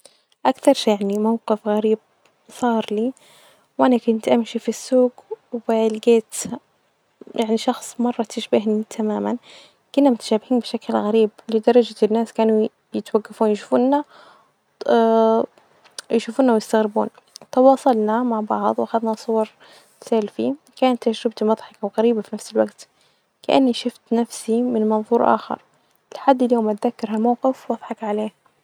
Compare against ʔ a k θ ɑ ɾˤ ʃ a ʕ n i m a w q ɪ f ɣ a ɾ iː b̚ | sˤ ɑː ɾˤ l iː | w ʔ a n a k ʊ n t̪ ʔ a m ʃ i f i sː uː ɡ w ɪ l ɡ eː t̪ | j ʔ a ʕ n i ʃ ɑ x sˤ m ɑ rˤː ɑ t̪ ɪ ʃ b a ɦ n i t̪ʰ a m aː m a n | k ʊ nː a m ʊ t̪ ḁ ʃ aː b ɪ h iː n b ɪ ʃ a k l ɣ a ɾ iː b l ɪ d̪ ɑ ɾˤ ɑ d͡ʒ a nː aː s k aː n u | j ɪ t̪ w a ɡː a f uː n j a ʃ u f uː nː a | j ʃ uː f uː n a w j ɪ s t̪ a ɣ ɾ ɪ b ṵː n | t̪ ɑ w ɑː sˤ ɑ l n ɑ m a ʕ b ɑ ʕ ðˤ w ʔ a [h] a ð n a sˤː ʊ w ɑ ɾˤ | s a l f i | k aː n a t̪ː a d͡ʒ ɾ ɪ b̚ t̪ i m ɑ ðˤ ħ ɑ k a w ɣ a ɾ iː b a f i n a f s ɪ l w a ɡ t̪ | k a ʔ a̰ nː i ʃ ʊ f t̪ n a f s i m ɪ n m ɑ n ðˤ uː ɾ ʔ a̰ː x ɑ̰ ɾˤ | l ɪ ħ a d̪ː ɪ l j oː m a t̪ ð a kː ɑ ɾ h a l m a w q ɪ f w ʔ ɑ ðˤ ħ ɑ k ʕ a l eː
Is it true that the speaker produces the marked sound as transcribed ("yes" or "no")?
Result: no